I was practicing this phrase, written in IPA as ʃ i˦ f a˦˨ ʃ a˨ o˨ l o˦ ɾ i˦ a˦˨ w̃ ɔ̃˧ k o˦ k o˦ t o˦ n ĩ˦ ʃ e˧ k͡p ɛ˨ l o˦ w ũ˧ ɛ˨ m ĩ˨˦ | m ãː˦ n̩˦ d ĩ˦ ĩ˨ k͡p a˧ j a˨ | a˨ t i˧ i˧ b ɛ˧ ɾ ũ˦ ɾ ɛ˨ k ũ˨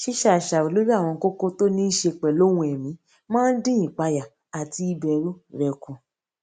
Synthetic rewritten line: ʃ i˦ ʃ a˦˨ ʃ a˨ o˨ l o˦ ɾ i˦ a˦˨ w̃ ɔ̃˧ k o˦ k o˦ t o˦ n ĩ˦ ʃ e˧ k͡p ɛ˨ l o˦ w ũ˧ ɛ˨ m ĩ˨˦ | m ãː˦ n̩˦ d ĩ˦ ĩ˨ k͡p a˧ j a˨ | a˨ t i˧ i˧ b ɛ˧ ɾ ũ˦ ɾ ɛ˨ k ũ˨